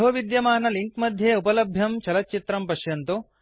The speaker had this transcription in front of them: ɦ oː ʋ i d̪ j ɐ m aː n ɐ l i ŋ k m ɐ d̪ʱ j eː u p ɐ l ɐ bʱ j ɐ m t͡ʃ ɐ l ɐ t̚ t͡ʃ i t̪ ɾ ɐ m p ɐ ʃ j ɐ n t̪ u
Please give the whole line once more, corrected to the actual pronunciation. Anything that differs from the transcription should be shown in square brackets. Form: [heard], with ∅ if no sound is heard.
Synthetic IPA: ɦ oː ʋ i d̪ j ɐ m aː n ɐ l i ŋ k m ɐ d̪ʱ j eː u p ɐ l ɐ bʱ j ɐ m t͡ʃ ɐ l ɐ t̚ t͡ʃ i t̪ ɾ ɐ m p ɐ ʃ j ɐ n t̪ u

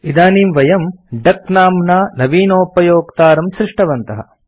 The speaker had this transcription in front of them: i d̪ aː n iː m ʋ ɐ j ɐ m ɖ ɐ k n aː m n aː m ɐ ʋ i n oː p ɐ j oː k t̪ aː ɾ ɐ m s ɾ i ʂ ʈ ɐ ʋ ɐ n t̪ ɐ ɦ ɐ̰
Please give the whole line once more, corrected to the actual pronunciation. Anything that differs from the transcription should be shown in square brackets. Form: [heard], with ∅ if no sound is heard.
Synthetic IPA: i d̪ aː n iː m ʋ ɐ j ɐ m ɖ ɐ k n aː m n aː [n] ɐ ʋ [iː] n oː p ɐ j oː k t̪ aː ɾ ɐ m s ɾ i ʂ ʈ ɐ ʋ ɐ n t̪ ɐ ɦ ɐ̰

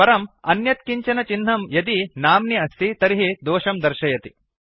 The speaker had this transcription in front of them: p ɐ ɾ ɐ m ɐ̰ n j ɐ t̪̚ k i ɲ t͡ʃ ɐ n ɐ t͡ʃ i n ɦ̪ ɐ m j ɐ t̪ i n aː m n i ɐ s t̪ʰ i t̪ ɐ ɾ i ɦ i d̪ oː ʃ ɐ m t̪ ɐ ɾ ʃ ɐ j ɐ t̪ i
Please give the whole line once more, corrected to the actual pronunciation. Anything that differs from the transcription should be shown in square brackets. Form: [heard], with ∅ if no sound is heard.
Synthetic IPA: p ɐ ɾ ɐ m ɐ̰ n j ɐ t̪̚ k i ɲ t͡ʃ ɐ n ɐ t͡ʃ i n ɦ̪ ɐ m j ɐ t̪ i n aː m n i ɐ s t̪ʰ i t̪ ɐ ɾ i ɦ i d̪ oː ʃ ɐ m [d̪] ɐ ɾ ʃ ɐ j ɐ t̪ i

